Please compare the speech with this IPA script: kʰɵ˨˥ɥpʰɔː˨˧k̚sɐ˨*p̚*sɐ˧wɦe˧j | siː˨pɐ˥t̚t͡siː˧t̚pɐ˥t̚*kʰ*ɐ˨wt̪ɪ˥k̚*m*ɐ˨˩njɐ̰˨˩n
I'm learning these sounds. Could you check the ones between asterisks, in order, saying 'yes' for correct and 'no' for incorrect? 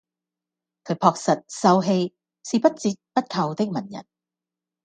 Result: no, yes, yes

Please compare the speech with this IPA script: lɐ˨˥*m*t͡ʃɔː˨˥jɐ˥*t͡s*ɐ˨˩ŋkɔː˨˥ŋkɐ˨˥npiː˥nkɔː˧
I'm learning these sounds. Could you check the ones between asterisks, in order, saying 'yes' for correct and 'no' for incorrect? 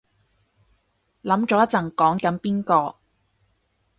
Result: yes, yes

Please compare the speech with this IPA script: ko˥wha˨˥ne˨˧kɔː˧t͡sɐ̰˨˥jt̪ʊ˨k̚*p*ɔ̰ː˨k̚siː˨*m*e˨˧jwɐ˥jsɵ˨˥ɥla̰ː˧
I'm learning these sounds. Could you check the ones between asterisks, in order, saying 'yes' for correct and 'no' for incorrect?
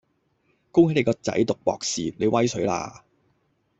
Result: yes, no

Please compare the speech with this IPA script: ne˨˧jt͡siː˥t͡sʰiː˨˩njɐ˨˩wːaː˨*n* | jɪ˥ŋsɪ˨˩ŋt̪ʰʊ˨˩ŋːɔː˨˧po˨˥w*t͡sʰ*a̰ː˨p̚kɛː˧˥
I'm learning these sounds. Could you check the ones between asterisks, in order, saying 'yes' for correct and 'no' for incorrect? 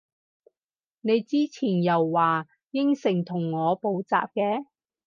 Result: no, no

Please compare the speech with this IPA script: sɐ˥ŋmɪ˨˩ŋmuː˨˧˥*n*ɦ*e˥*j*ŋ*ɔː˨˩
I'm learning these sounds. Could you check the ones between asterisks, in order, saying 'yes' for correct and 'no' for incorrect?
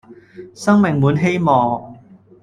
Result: yes, yes, no

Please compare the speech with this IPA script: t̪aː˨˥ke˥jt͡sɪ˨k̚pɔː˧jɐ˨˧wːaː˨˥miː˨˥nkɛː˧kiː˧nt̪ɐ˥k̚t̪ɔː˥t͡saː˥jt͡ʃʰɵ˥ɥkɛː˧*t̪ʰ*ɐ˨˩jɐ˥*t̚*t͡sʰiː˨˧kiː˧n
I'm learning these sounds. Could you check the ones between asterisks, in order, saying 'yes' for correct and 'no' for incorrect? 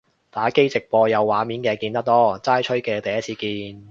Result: no, yes

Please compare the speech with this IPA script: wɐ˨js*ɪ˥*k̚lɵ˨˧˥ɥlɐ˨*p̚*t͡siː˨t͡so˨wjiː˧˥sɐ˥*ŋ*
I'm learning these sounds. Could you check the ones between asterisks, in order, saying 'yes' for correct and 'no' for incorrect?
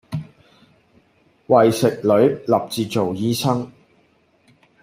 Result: no, yes, yes

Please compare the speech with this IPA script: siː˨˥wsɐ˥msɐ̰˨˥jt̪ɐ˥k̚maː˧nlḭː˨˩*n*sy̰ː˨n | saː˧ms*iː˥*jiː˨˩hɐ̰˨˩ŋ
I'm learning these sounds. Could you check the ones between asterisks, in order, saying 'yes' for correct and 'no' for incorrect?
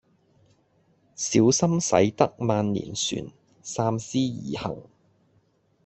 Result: yes, yes

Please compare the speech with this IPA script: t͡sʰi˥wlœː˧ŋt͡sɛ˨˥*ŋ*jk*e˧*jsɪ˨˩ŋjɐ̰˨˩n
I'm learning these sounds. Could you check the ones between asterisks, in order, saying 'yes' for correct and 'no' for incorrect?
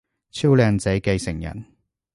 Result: no, yes

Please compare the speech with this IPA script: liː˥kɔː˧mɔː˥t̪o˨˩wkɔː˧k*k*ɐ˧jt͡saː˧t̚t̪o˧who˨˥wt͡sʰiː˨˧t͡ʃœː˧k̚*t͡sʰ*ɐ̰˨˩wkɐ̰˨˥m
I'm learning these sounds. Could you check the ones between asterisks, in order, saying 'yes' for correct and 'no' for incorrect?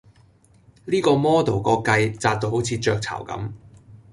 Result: yes, yes

